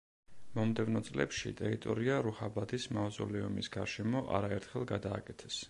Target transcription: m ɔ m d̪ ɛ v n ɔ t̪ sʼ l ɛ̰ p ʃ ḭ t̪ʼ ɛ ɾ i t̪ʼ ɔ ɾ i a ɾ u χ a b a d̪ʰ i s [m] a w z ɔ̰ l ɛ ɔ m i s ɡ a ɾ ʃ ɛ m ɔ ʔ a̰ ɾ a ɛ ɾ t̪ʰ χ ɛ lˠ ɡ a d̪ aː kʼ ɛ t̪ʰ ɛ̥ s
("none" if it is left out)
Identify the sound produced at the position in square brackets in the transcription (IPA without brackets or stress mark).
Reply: m